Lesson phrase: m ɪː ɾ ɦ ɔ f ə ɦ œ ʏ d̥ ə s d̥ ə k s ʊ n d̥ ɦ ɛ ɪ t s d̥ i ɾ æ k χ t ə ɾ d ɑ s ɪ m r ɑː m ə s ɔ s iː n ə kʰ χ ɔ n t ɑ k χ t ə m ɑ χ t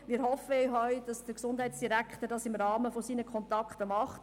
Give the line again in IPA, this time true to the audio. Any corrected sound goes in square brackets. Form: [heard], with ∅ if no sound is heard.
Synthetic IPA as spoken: m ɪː ɾ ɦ ɔ f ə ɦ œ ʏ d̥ [ɑ] s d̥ ə k s ʊ n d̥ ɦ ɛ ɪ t s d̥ i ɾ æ k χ t ə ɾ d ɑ s ɪ m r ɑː m ə [f] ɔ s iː n ə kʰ χ ɔ n t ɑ k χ t ə m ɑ χ t